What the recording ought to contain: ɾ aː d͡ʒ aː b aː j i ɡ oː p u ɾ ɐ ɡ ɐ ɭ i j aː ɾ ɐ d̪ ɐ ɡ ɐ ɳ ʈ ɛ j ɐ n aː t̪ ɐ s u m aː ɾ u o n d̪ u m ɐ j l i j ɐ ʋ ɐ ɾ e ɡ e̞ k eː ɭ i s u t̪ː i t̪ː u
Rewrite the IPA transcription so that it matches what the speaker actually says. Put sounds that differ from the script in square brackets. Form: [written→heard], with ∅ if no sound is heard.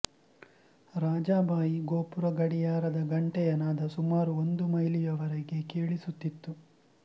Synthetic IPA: ɾ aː d͡ʒ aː b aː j i ɡ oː p u ɾ ɐ ɡ ɐ [ɭ→ɽ] i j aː ɾ ɐ d̪ ɐ ɡ ɐ ɳ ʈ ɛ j ɐ n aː [t̪→d̪] ɐ s u m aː ɾ u o n d̪ u m ɐ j l i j ɐ ʋ ɐ ɾ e ɡ e̞ k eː ɭ i s u t̪ː i t̪ː u

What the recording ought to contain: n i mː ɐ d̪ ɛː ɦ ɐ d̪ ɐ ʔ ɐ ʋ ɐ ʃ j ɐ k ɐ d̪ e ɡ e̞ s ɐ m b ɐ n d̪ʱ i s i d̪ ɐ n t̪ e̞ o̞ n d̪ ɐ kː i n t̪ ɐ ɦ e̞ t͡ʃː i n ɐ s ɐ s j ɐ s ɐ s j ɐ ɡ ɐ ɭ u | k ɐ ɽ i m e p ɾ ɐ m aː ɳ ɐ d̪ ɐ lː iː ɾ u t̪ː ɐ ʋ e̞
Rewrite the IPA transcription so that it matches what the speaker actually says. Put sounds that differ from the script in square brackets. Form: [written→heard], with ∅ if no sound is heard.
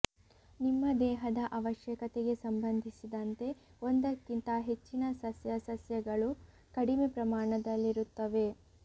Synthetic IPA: n i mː ɐ d̪ ɛː ɦ ɐ d̪ ɐ ʔ ɐ ʋ ɐ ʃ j ɐ k ɐ [d̪→t̪] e ɡ e̞ s ɐ m b ɐ n d̪ʱ i s i d̪ ɐ n t̪ e̞ o̞ n d̪ ɐ kː i n t̪ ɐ ɦ e̞ t͡ʃː i n ɐ s ɐ s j ɐ s ɐ s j ɐ ɡ ɐ ɭ u | k ɐ ɽ i m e p ɾ ɐ m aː ɳ ɐ d̪ ɐ lː [iː→i] ɾ u t̪ː ɐ ʋ e̞

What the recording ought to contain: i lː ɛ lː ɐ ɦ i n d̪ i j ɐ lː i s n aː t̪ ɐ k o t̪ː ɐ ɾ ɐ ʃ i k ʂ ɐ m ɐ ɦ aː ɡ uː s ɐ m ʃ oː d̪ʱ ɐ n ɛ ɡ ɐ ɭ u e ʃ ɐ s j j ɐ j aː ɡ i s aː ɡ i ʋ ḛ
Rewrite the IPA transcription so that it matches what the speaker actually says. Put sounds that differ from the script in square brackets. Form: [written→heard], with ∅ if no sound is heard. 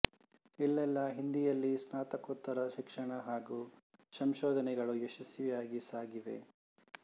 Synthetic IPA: i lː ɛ lː ɐ ɦ i n d̪ i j ɐ lː i s n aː t̪ ɐ k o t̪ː ɐ ɾ ɐ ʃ i k ʂ ɐ [m→ɳ] ɐ ɦ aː ɡ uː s ɐ m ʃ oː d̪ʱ ɐ n ɛ ɡ ɐ ɭ u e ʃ ɐ s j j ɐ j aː ɡ i s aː ɡ i ʋ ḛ

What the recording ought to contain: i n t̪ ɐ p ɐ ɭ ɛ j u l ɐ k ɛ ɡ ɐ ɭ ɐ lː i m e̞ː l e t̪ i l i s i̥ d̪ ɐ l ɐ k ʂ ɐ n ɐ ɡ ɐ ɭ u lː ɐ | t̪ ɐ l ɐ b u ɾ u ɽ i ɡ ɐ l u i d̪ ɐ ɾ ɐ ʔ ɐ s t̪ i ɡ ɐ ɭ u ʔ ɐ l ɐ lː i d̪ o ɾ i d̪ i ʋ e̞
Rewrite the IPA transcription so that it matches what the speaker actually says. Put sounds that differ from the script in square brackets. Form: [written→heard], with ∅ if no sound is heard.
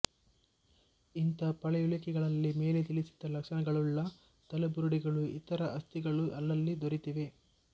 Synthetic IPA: i n t̪ ɐ p ɐ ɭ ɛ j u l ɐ k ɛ ɡ ɐ ɭ ɐ lː i m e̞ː l e t̪ i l i s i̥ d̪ ɐ l ɐ k ʂ ɐ n ɐ ɡ ɐ ɭ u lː ɐ | t̪ ɐ l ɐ b u ɾ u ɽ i ɡ ɐ [l→ɭ] u i [d̪→t̪] ɐ ɾ ɐ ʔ ɐ s t̪ i ɡ ɐ ɭ u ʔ ɐ [l→lː] ɐ lː i d̪ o ɾ i [d̪→t̪] i ʋ e̞

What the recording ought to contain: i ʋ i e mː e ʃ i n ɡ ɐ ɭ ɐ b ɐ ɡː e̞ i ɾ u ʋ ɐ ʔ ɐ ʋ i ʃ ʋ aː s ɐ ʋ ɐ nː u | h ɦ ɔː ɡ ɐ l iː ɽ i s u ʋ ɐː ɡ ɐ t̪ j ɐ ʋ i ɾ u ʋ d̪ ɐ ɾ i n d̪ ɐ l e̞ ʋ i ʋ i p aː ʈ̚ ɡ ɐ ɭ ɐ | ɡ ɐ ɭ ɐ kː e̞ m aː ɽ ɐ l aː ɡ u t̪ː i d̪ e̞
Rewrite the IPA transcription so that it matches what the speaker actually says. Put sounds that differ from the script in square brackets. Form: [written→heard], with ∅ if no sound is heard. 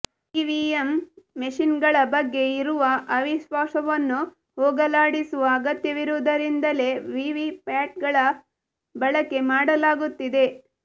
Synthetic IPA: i ʋ i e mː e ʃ i n ɡ ɐ ɭ ɐ b ɐ ɡː e̞ i ɾ u ʋ ɐ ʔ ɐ ʋ i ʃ ʋ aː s ɐ ʋ ɐ nː u | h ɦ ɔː ɡ ɐ l [iː→aː] ɽ i s u ʋ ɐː ɡ ɐ t̪ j ɐ ʋ i ɾ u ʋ d̪ ɐ ɾ i n d̪ ɐ l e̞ ʋ i ʋ i p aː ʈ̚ ɡ ɐ ɭ ɐ | [ɡ→b] ɐ ɭ ɐ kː e̞ m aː ɽ ɐ l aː ɡ u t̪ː i d̪ e̞

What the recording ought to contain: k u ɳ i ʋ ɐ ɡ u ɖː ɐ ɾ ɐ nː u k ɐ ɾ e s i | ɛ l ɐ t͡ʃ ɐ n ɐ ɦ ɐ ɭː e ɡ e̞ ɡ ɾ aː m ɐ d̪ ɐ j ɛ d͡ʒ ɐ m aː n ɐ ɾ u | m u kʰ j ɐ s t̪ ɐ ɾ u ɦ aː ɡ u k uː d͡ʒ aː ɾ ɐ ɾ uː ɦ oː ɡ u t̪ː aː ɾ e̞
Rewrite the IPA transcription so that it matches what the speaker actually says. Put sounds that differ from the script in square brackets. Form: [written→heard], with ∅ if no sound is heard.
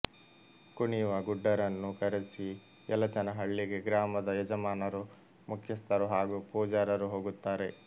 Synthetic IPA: k u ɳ i ʋ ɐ ɡ u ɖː ɐ ɾ ɐ nː u k ɐ ɾ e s i | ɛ l ɐ t͡ʃ ɐ n ɐ ɦ ɐ ɭː [e→i] ɡ e̞ ɡ ɾ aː m ɐ d̪ ɐ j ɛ d͡ʒ ɐ m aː n ɐ ɾ u | m u kʰ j ɐ s t̪ ɐ ɾ u ɦ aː ɡ u [k→p] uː d͡ʒ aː ɾ ɐ ɾ [uː→u] ɦ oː ɡ u t̪ː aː ɾ e̞

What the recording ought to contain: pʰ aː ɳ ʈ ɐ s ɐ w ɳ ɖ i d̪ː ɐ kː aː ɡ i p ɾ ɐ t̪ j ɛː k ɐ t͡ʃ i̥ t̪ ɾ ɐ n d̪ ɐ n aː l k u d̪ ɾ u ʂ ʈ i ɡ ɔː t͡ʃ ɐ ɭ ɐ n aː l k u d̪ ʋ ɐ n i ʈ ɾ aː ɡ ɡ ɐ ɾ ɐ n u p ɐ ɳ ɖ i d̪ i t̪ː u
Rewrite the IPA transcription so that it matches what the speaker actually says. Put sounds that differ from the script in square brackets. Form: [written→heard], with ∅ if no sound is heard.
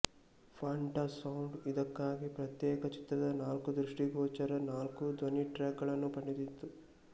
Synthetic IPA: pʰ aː ɳ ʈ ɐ s ɐ w ɳ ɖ i [d̪ː→d̪] ɐ kː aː ɡ i p ɾ ɐ t̪ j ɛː k ɐ t͡ʃ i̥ t̪ ɾ ɐ [n→∅] d̪ ɐ n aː l k u d̪ ɾ u ʂ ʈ i ɡ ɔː t͡ʃ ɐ [ɭ→ɾ] ɐ n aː l k u d̪ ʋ ɐ n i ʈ ɾ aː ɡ ɡ ɐ [ɾ→ɭ] ɐ [n→nː] u p ɐ ɳ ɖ i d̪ i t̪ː u

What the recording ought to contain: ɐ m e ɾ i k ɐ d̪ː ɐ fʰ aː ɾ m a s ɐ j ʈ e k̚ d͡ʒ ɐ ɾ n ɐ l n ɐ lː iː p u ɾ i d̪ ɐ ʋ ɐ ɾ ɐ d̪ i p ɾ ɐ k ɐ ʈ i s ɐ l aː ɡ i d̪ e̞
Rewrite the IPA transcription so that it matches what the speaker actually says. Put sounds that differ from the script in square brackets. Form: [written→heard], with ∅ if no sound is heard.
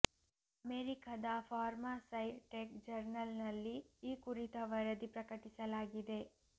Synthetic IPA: ɐ m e ɾ i k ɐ [d̪ː→d̪] ɐ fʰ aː ɾ m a s ɐ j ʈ e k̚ d͡ʒ ɐ ɾ n ɐ l n ɐ lː iː [p→k] u ɾ i [d̪→t̪] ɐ ʋ ɐ ɾ ɐ d̪ i p ɾ ɐ k ɐ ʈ i s ɐ l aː ɡ i d̪ e̞

